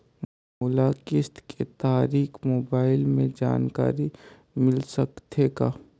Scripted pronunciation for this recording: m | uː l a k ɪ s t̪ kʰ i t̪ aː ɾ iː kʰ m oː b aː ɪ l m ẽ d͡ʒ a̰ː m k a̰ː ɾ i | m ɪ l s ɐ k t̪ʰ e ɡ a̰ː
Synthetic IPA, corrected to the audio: m | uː l a k ɪ s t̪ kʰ e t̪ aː ɾ iː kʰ m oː b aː ɪ l m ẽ d͡ʒ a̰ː n k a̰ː ɾ i | m ɪ l s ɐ k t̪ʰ e ɡ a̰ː